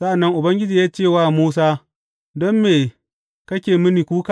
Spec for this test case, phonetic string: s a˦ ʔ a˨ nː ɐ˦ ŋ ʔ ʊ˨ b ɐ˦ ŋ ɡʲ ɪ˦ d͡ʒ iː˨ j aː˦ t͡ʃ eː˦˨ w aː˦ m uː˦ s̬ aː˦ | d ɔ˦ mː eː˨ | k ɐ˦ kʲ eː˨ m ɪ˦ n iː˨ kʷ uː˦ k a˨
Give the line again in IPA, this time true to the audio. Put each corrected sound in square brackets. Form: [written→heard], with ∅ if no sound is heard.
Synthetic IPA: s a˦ ʔ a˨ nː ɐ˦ ŋ ʔ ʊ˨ b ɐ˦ ŋ ɡʲ ɪ˦ d͡ʒ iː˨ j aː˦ t͡ʃ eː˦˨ w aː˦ m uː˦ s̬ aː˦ | d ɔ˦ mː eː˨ | k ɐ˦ kʲ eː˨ m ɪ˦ n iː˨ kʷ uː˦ k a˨